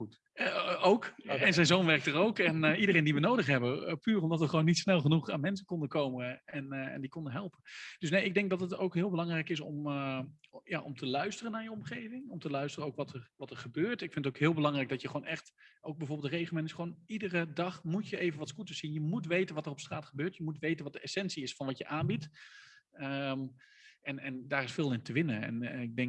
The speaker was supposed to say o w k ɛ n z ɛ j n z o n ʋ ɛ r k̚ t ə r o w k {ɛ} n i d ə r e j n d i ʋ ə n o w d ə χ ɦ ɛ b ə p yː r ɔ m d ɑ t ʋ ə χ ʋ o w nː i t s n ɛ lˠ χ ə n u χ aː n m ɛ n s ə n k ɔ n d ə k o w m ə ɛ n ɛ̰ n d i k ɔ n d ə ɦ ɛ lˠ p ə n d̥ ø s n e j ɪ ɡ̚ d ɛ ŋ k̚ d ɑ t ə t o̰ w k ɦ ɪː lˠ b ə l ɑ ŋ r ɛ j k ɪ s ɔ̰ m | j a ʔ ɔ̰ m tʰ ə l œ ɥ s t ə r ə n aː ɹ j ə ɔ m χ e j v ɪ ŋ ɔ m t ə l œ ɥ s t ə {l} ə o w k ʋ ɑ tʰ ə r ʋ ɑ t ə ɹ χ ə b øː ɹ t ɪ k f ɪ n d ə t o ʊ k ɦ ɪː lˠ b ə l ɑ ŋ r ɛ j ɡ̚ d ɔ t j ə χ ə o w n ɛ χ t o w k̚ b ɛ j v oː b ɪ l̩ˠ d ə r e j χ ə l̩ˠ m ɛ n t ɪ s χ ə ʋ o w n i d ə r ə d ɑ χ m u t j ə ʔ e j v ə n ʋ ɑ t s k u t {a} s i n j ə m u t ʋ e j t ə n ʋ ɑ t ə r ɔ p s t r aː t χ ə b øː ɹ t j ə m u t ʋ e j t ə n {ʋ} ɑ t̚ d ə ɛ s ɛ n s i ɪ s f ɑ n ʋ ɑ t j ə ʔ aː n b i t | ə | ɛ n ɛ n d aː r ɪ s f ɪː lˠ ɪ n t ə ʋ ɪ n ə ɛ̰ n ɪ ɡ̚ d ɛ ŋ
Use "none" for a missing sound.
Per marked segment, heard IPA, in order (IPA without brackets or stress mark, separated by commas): ɛ, r, ə, ʋ